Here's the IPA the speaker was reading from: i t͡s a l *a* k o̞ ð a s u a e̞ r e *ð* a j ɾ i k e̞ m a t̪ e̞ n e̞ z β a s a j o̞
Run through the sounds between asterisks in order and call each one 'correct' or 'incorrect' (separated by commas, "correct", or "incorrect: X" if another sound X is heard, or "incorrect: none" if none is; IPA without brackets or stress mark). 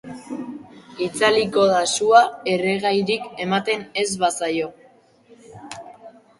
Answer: incorrect: i, incorrect: ɣ